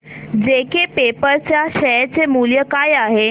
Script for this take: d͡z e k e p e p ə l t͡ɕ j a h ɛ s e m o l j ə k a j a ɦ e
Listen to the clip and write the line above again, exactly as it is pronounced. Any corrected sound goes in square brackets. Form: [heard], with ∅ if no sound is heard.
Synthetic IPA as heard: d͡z e k e p e p ə [ɾ] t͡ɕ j a [ɕ] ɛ [t͡s] e m [u] l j ə k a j a ɦ e